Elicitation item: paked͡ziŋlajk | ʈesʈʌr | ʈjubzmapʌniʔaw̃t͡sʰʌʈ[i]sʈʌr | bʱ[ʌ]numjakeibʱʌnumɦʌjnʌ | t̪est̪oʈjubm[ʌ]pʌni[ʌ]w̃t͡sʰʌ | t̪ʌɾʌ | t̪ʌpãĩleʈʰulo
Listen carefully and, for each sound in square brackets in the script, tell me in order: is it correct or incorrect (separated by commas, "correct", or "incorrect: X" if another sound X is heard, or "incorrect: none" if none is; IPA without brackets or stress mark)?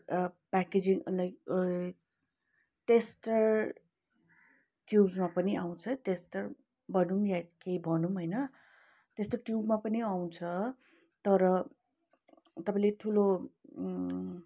incorrect: e, correct, incorrect: a, incorrect: a